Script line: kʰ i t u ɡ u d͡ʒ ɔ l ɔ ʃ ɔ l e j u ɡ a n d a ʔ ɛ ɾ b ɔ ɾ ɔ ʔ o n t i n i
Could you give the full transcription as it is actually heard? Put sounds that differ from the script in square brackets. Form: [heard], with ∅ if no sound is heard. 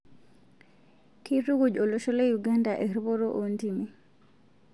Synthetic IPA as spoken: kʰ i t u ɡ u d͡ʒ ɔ l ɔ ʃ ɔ l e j u ɡ a n d a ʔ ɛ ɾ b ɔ ɾ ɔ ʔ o n t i [m] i